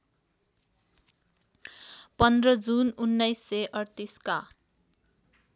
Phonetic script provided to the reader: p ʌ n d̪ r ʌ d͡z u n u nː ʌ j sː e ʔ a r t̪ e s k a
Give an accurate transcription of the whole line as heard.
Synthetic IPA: p ʌ n d̪ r ʌ d͡z u n u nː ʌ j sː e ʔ ʌ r t̪ i s k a